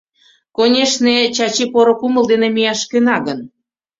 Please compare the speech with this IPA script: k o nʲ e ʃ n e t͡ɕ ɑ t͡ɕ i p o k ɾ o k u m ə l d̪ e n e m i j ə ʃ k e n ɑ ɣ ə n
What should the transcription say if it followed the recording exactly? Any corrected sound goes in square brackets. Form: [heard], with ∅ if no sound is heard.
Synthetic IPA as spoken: k o nʲ e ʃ n e t͡ɕ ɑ t͡ɕ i p o [∅] ɾ o k u m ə l d̪ e n e m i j [ɑ] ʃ k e n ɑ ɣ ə n